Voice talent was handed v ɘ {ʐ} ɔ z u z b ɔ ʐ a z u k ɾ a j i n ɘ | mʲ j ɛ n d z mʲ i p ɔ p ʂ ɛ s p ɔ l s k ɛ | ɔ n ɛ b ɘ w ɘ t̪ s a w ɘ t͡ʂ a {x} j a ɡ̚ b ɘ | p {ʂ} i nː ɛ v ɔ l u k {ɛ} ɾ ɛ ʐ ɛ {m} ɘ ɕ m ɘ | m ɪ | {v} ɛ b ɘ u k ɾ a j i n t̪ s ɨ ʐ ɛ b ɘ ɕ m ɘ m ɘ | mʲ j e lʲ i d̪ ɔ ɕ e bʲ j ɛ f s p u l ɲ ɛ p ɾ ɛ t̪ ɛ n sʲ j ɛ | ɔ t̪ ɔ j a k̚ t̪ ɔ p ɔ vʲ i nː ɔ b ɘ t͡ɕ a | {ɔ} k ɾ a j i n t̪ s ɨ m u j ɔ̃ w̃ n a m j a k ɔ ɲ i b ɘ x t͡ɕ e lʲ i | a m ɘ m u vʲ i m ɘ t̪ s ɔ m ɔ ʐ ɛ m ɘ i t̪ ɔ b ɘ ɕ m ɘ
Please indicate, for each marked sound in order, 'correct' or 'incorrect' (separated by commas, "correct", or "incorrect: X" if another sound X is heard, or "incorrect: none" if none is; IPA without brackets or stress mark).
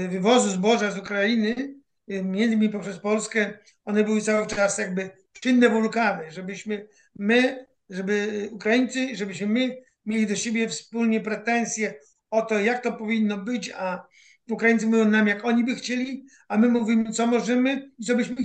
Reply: incorrect: v, incorrect: s, correct, incorrect: a, incorrect: b, incorrect: ʐ, incorrect: u